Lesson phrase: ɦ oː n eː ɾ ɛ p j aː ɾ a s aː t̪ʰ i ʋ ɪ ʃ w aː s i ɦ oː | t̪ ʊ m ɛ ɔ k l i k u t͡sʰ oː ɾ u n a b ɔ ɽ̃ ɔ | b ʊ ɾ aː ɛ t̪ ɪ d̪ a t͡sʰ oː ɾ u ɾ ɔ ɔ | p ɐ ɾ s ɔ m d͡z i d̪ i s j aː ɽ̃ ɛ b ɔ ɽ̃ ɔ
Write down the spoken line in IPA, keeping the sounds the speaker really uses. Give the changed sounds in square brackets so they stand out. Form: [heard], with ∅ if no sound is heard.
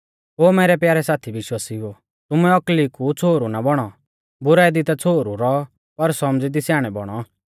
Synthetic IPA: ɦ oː [m] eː ɾ ɛ p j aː ɾ [ɛ] s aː t̪ʰ i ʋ ɪ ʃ w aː s i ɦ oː | t̪ ʊ m ɛ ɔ k l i k u t͡sʰ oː ɾ u n a b ɔ ɽ̃ ɔ | b ʊ ɾ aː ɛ [d̪] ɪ [t̪] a t͡sʰ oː ɾ u ɾ ɔ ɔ | p ɐ ɾ s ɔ m d͡z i d̪ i s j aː ɽ̃ ɛ b ɔ ɽ̃ ɔ